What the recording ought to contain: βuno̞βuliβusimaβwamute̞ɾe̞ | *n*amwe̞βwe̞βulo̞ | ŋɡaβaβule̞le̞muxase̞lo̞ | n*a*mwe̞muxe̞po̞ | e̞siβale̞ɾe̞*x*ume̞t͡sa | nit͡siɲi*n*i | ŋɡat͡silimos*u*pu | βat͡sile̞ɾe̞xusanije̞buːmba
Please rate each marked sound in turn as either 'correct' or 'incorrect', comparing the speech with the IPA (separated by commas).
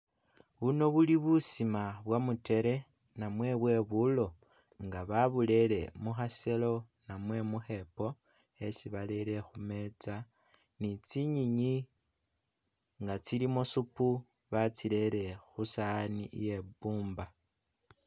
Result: correct, correct, correct, incorrect, correct